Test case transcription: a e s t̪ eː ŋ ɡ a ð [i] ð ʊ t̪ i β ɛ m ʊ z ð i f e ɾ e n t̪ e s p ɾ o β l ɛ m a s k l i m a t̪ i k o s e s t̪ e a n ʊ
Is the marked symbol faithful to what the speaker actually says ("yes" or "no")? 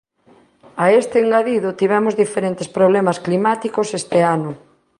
yes